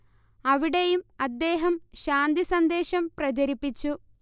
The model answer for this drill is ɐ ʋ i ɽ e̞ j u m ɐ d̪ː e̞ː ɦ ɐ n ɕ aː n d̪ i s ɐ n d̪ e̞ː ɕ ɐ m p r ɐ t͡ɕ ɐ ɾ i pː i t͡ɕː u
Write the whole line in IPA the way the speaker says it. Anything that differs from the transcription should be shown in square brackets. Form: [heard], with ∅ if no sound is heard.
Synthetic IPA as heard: ɐ ʋ i ɽ e̞ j u m ɐ d̪ː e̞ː ɦ ɐ [m] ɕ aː n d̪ i s ɐ n d̪ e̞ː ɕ ɐ m p r ɐ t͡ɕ ɐ ɾ i pː i t͡ɕː u

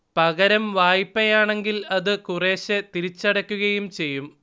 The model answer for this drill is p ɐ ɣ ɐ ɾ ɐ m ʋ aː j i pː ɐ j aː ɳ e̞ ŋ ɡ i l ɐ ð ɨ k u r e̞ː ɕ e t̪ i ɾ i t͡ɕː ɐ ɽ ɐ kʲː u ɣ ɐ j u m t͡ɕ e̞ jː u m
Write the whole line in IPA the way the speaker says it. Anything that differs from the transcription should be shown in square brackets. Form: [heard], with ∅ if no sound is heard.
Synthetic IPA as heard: p ɐ ɣ ɐ ɾ ɐ m ʋ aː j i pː ɐ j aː ɳ e̞ ŋ ɡ i l ɐ ð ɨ k u r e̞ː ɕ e t̪ i ɾ i t͡ɕː ɐ ɽ ɐ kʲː u ɣ ɐ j u m t͡ɕ e̞ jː u m

